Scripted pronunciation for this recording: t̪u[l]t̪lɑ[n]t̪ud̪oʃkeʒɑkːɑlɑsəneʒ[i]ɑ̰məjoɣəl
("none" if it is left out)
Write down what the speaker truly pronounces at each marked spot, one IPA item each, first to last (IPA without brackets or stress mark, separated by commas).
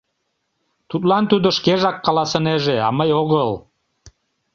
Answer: none, n, e